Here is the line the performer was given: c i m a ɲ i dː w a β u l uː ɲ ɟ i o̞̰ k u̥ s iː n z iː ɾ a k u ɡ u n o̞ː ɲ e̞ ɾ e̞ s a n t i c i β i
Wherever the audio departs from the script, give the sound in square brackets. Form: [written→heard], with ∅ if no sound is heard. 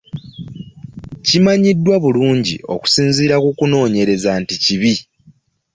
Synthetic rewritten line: c i m a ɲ i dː w a β u l uː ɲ ɟ i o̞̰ k u̥ s iː n z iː ɾ a k u [ɡ→k] u n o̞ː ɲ e̞ ɾ e̞ [s→z] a n t i c i β i